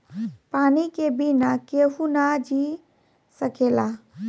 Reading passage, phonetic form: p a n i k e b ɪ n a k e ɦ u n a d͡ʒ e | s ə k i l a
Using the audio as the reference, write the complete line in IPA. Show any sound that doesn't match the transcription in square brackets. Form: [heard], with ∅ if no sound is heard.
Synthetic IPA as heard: p a n i k e b [i] n a k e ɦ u n a d͡ʒ [i] | s ə k [e] l a